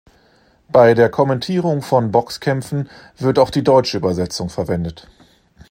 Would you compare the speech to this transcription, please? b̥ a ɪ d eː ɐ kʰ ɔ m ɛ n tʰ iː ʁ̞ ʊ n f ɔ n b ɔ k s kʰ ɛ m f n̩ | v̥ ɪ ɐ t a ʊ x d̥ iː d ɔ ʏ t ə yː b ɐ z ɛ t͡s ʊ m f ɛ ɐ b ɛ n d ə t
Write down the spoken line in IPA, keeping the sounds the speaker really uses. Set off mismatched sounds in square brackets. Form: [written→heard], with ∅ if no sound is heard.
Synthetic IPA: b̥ a ɪ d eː ɐ kʰ ɔ m ɛ n tʰ iː ʁ̞ ʊ [n→ŋ] f ɔ n b ɔ k s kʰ ɛ m f n̩ | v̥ ɪ ɐ t a ʊ x d̥ iː d ɔ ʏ [t→t͡ʃ] ə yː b ɐ z ɛ t͡s ʊ [m→ŋ] f ɛ ɐ [b→v] ɛ n d ə t